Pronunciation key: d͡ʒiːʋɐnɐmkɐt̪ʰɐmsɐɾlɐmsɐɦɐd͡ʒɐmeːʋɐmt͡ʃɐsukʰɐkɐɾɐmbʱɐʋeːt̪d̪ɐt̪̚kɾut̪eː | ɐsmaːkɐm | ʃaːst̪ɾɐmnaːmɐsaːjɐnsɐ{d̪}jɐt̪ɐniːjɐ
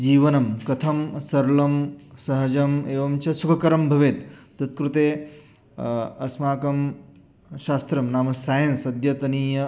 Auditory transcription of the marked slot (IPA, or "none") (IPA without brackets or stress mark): d̪